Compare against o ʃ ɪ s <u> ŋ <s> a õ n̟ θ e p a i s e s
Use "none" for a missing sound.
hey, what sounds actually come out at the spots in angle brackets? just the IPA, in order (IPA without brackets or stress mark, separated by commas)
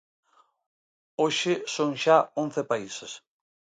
o, ʃ